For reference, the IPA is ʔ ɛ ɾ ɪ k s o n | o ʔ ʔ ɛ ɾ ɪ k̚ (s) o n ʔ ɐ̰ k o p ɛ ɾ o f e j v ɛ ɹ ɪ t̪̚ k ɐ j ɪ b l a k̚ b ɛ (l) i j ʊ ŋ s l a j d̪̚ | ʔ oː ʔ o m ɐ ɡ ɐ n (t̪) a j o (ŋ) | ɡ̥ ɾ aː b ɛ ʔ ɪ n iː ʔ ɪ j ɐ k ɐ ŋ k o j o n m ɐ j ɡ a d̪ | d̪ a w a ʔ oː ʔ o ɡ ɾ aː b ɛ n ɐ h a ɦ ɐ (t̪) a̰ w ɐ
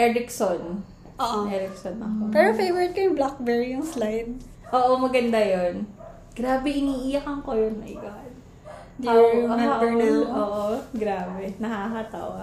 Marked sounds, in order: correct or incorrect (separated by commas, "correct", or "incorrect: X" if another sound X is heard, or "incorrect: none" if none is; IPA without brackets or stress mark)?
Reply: correct, incorrect: ɹ, incorrect: d̪, incorrect: n, correct